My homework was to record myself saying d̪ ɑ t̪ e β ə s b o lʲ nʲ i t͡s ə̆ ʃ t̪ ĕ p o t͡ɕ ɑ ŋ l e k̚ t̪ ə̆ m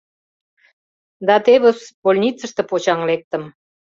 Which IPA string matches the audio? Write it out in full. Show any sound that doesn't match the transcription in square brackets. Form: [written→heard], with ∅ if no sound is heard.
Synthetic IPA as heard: d̪ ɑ t̪ e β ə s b o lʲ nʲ i t͡s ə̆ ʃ t̪ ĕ p o t͡ɕ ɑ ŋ l e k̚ t̪ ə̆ m